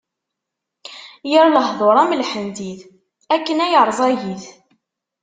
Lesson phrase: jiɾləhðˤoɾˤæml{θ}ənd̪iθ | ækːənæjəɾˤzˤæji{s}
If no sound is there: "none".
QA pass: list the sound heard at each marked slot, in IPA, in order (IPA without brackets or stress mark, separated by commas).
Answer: ħ, θ